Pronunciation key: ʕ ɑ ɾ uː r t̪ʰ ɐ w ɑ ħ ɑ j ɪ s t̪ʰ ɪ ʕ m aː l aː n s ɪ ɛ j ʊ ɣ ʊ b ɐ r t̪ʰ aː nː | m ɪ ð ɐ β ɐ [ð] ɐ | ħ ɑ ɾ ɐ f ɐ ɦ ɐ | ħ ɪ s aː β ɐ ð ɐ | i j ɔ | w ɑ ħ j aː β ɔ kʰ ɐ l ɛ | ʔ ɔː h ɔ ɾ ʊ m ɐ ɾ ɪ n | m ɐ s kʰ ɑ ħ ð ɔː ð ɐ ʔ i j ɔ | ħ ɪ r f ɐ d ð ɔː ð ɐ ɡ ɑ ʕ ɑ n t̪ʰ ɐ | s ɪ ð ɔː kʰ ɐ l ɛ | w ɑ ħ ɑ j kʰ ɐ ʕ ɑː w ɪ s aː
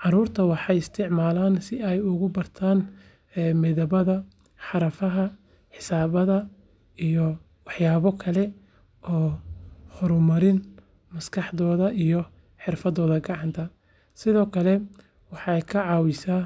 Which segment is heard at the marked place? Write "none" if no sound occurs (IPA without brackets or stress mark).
ð